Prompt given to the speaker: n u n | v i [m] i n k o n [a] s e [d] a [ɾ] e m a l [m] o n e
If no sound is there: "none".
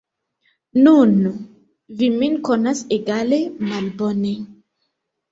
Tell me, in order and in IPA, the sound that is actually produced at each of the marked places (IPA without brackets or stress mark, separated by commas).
m, a, ɡ, l, b